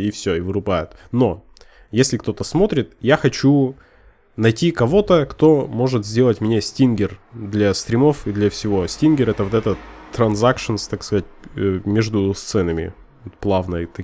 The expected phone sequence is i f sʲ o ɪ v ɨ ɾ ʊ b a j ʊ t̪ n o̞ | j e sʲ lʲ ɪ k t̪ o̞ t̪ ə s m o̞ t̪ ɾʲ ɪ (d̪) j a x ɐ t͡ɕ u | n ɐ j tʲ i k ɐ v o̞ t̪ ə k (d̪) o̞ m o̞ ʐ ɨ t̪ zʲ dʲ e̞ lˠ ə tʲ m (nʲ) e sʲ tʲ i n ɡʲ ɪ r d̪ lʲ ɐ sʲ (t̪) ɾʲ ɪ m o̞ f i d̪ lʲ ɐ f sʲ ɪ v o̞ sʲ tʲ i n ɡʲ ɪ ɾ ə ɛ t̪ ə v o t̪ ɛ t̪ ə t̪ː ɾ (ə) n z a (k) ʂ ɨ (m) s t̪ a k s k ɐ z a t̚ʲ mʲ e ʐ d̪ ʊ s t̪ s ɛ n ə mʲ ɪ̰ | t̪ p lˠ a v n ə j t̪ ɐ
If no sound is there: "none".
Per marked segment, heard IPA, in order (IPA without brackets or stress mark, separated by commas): t̪, t̪, nʲ, t̪, ɐ, k, n